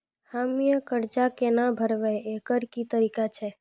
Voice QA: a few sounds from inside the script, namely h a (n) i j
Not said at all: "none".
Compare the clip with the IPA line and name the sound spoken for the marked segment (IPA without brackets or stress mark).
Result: m